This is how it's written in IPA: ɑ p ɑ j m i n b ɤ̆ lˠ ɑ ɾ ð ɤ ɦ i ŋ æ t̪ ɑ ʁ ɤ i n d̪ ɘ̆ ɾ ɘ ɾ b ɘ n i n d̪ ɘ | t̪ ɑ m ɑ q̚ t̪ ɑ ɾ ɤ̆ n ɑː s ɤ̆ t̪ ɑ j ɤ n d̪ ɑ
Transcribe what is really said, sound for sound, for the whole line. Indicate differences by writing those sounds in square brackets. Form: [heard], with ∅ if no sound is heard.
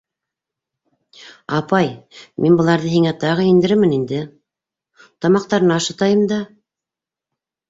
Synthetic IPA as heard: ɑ p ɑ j m i n b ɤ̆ lˠ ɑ ɾ ð ɤ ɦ i ŋ æ t̪ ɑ ʁ ɤ i n d̪ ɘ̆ ɾ ɘ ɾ [m] ɘ n i n d̪ ɘ | t̪ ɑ m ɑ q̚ t̪ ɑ ɾ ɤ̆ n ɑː [ʃ] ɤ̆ t̪ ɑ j ɤ [m] d̪ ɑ

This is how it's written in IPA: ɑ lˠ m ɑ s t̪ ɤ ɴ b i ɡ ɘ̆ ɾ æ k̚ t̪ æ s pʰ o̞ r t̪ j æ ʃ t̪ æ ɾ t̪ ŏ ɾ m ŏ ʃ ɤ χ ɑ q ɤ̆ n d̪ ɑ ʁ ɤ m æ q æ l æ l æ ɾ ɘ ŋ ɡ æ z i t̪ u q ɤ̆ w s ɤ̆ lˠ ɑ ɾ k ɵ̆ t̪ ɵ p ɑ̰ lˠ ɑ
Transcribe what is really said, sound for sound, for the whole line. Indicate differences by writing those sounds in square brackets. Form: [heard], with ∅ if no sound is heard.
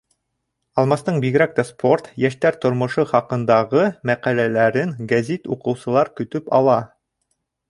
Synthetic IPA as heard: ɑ lˠ m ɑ s t̪ ɤ ɴ b i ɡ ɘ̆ ɾ æ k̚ t̪ æ s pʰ o̞ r t̪ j æ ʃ t̪ æ ɾ t̪ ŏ ɾ m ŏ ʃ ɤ χ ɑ q ɤ̆ n d̪ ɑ ʁ ɤ m æ q æ l æ l æ ɾ ɘ ŋ ɡ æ z i t̪ u q ɤ̆ w s ɤ̆ lˠ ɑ ɾ k ɵ̆ t̪ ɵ p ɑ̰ lˠ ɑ

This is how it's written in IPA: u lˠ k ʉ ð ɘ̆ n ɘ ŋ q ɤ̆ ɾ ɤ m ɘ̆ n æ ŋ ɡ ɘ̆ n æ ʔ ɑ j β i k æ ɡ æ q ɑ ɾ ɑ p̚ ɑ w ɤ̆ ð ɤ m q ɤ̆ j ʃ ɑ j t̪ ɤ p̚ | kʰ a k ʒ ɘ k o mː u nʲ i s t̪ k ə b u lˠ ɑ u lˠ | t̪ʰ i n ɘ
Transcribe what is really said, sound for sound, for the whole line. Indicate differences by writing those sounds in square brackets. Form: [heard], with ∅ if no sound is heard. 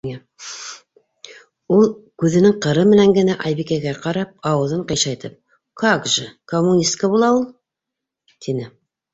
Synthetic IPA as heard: u lˠ k ʉ ð ɘ̆ n ɘ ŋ q ɤ̆ ɾ ɤ m ɘ̆ n æ ŋ ɡ ɘ̆ n æ ʔ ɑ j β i k æ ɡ æ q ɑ ɾ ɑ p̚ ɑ w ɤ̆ ð ɤ [ɴ] q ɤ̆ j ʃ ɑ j t̪ ɤ p̚ | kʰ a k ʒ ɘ k o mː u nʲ i s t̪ k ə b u lˠ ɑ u lˠ | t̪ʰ i n ɘ

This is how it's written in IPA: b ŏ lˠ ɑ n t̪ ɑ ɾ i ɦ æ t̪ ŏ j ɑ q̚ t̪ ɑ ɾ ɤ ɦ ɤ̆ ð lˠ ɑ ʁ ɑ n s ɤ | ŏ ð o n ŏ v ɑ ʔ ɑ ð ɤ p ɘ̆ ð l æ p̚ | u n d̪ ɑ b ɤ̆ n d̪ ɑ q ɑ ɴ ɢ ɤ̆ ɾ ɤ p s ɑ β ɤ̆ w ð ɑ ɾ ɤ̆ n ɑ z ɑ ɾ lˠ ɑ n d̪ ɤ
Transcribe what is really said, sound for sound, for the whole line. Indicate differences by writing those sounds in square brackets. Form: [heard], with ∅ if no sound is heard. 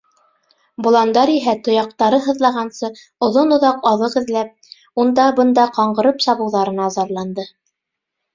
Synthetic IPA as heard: b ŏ lˠ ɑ n [d̪] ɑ ɾ i ɦ æ t̪ ŏ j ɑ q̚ t̪ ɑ ɾ ɤ ɦ ɤ̆ ð lˠ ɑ ʁ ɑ n s ɤ | ŏ ð o n ŏ [ð] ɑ [q] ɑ ð ɤ [q] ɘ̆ ð l æ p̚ | u n d̪ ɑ b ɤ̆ n d̪ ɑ q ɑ ɴ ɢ ɤ̆ ɾ ɤ p s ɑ β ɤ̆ w ð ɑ ɾ ɤ̆ n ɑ z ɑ ɾ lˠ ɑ n d̪ ɤ

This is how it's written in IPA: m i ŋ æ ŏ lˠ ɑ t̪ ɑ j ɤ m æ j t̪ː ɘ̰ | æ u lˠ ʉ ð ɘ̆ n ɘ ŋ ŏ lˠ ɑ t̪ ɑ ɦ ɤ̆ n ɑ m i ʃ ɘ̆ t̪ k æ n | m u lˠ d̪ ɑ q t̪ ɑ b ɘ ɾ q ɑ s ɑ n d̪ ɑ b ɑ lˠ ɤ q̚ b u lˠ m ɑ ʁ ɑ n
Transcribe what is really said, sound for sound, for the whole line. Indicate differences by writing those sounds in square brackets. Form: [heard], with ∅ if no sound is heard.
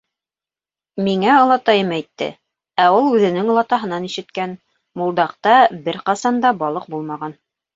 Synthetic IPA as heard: m i ŋ æ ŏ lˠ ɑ t̪ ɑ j ɤ m æ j t̪ː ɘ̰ | æ u lˠ ʉ ð ɘ̆ n ɘ ŋ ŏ lˠ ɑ t̪ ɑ ɦ ɤ̆ n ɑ [n] i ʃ ɘ̆ t̪ k æ n | m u lˠ d̪ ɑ q t̪ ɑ b ɘ ɾ q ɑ s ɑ n d̪ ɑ b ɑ lˠ ɤ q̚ b u lˠ m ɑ ʁ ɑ n

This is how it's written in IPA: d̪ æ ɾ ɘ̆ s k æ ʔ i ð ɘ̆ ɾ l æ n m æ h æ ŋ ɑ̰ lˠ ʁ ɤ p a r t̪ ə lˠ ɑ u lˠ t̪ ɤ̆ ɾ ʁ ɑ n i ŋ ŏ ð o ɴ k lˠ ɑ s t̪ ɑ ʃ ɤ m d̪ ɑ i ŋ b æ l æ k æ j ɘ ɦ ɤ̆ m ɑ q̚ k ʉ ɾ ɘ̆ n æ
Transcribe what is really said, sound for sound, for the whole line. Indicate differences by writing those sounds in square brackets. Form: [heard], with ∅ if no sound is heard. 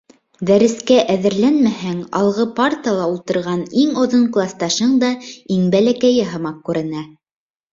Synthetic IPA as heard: d̪ æ ɾ ɘ̆ s k æ ʔ [æ] ð ɘ̆ ɾ l æ n m æ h æ ŋ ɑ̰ lˠ ʁ ɤ p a r t̪ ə lˠ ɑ u lˠ t̪ ɤ̆ ɾ ʁ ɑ n i ŋ ŏ ð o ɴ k lˠ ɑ s t̪ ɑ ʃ ɤ [ɴ] d̪ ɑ i ŋ b æ l æ k æ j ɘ ɦ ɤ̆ m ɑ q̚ k ʉ ɾ ɘ̆ n æ

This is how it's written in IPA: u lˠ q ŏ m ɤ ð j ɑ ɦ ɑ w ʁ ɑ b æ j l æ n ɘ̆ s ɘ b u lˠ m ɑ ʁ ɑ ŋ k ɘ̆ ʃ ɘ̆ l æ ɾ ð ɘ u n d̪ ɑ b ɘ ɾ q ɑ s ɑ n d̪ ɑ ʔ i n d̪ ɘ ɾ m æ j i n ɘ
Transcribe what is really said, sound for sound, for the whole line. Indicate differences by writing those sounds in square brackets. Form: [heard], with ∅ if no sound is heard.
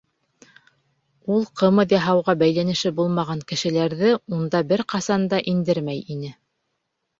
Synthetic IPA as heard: u lˠ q [ɤ̆] m ɤ ð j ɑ ɦ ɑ w ʁ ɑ b æ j l æ n ɘ̆ [ʃ] ɘ b u lˠ m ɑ ʁ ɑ ŋ k ɘ̆ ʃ ɘ̆ l æ ɾ ð ɘ u n d̪ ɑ b ɘ ɾ q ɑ s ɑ n d̪ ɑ ʔ i n d̪ ɘ ɾ m æ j i n ɘ

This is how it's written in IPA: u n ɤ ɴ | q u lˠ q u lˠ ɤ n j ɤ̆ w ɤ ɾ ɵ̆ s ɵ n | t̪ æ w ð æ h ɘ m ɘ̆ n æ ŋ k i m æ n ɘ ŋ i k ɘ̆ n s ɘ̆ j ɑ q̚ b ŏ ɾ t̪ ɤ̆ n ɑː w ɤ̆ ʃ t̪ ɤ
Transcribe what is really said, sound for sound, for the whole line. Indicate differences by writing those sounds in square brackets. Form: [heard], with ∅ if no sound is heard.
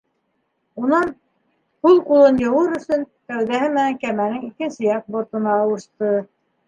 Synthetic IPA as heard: u n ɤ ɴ | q u lˠ q u lˠ ɤ n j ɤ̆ w ɤ ɾ ɵ̆ s ɵ n | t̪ æ w ð æ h ɘ m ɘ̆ n æ ŋ k [æ] m æ n ɘ ŋ i k ɘ̆ n s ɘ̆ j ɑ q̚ b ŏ ɾ t̪ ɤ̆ n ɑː w ɤ̆ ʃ t̪ ɤ

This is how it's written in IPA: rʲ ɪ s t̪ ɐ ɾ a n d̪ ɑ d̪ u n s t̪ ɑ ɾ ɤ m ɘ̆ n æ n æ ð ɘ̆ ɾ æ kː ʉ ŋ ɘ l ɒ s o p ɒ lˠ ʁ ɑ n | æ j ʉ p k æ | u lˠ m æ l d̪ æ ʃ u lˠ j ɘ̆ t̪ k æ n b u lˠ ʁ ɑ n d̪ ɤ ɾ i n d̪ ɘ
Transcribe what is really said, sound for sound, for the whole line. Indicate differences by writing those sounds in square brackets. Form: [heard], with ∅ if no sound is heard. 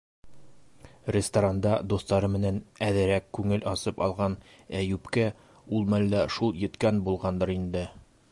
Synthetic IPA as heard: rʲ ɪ s t̪ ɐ ɾ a n d̪ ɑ d̪ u [∅] s t̪ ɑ ɾ ɤ m ɘ̆ n æ n æ ð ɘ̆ ɾ æ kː ʉ ŋ ɘ l ɒ s [ɤ] p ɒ lˠ ʁ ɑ n | æ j ʉ p k æ | u lˠ m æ l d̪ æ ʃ u lˠ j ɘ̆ t̪ k æ n b u lˠ ʁ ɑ n d̪ ɤ ɾ i n d̪ ɘ

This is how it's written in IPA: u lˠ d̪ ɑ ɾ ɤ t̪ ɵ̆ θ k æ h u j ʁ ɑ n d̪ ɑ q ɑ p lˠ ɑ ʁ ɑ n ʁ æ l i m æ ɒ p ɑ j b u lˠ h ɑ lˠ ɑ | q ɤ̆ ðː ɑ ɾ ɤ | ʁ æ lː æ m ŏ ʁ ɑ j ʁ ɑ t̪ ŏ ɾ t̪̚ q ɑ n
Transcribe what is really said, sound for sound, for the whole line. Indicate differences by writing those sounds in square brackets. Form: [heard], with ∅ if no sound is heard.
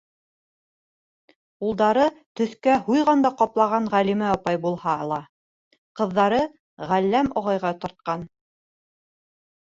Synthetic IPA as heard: u lˠ d̪ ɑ ɾ ɤ t̪ ɵ̆ θ k æ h u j ʁ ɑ n d̪ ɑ q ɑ p lˠ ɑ ʁ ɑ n ʁ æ l i m æ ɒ p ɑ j b u lˠ h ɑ lˠ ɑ | q ɤ̆ ðː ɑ ɾ ɤ | ʁ æ lː æ m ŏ ʁ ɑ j ʁ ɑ t̪ ŏ ɾ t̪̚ q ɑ n

